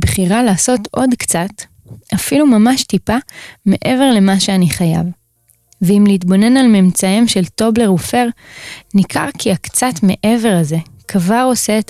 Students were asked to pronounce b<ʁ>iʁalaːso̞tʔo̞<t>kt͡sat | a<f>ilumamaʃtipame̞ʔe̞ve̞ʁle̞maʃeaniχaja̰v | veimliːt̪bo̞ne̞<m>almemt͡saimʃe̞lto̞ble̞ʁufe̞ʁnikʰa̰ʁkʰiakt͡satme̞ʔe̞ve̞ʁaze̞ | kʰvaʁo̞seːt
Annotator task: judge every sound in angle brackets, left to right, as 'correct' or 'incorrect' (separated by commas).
incorrect, incorrect, correct, incorrect